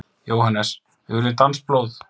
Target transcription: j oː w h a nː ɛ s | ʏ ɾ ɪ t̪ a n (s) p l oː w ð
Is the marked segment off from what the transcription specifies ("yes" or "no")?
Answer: no